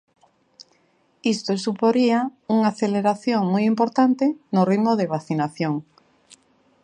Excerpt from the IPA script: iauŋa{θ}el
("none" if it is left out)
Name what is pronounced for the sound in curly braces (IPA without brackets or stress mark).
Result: θ